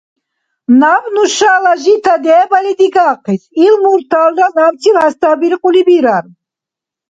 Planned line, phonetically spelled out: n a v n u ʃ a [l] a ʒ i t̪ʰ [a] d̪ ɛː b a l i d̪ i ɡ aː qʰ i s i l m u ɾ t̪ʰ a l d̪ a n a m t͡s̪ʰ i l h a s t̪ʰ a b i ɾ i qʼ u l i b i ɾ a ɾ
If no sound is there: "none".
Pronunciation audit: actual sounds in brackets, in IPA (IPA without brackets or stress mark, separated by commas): l, a